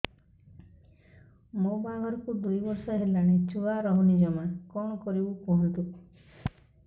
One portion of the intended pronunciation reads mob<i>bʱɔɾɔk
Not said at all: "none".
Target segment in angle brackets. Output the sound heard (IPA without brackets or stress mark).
a